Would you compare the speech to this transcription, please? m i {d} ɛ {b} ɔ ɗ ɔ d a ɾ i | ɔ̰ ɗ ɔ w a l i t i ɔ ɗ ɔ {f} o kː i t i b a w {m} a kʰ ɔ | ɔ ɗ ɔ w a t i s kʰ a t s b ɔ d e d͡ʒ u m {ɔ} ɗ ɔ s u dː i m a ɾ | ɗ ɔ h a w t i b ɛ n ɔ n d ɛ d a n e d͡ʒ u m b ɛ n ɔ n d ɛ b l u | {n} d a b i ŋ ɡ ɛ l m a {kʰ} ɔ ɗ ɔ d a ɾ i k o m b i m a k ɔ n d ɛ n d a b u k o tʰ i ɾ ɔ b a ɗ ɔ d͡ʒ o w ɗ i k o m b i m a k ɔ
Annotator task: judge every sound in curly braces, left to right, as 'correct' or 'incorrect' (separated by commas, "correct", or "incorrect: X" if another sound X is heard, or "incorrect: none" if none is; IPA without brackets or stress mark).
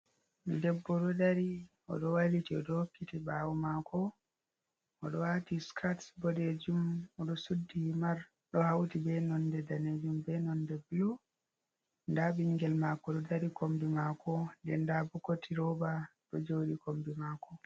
correct, incorrect: bː, incorrect: h, correct, correct, correct, incorrect: k